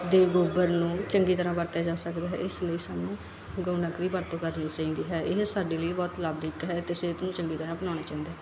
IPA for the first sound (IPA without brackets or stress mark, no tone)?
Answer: d̪